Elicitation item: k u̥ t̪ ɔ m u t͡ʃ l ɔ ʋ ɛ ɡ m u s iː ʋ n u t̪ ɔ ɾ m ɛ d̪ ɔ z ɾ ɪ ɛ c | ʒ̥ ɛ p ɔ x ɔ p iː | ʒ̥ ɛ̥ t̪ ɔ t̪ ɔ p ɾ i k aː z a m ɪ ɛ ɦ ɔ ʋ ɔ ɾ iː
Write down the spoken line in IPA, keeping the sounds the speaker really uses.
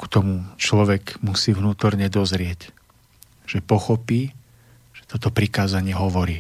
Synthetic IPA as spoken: k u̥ t̪ ɔ m u t͡ʃ l ɔ ʋ ɛ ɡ m u s iː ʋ n uː t̪ ɔ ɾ ɲ ɛ d̪ ɔ z ɾ ɪ ɛ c | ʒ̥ ɛ p ɔ x ɔ p iː | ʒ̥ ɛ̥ t̪ ɔ t̪ ɔ p ɾ i k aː z a ɲ ɪ ɛ ɦ ɔ ʋ ɔ ɾ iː